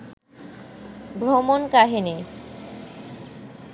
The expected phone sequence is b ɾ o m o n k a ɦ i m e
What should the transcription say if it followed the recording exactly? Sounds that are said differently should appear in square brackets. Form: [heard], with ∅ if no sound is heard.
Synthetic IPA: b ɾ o m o n k a ɦ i [n] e